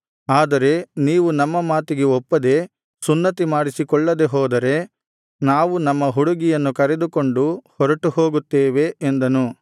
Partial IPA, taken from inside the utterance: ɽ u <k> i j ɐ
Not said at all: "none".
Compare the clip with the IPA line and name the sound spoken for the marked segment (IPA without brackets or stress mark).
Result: ɡ